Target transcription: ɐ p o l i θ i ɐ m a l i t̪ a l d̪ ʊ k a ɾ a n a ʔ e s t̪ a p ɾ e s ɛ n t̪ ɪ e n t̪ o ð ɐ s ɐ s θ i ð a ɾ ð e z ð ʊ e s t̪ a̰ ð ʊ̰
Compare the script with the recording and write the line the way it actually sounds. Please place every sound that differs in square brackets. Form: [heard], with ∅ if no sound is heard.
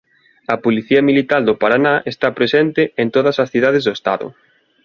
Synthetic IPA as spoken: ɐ p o l i θ i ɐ m [i] l i t̪ a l d̪ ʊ [p] a ɾ a n a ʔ e s t̪ a p ɾ e s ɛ n t̪ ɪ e n t̪ o ð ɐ s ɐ s θ i ð a [∅] ð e z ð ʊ e s t̪ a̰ ð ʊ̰